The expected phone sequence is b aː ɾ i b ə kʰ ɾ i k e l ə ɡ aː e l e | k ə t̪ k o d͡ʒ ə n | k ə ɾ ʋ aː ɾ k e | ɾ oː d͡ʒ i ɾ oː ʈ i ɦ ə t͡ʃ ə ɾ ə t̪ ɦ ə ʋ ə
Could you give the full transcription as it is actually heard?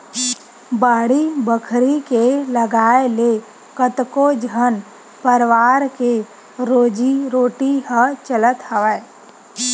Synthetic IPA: b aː ɽ i b ə kʰ ɾ i k e l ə ɡ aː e l e | k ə t̪ k o d͡ʒ ə n | p ə ɾ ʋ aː ɾ k e | ɾ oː d͡ʒ i ɾ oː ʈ i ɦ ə t͡ʃ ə l ə t̪ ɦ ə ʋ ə